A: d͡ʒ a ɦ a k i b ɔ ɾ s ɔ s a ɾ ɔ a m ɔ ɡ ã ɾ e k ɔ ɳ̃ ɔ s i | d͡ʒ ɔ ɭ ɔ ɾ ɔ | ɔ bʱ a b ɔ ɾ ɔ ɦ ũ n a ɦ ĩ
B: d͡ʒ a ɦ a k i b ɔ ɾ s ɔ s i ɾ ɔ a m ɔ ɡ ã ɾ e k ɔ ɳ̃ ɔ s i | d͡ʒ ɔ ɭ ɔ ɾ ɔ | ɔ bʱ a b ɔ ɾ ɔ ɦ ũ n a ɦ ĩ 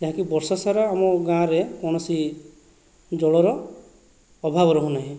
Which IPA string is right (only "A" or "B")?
A